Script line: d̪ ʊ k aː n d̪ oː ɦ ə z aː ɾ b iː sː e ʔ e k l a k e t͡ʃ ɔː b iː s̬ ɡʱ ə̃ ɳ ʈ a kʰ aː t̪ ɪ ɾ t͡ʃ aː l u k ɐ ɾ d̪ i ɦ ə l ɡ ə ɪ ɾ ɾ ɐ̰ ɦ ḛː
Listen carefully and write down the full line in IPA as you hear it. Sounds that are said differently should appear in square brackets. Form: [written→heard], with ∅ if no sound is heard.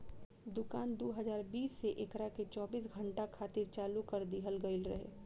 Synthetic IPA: d̪ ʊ k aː n d̪ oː ɦ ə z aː ɾ b iː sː e ʔ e k [l→ɾ] a k e t͡ʃ ɔː b iː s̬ ɡʱ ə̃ ɳ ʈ a kʰ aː t̪ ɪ ɾ t͡ʃ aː l u k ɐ ɾ d̪ i ɦ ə l ɡ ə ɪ [ɾ→l] ɾ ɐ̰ ɦ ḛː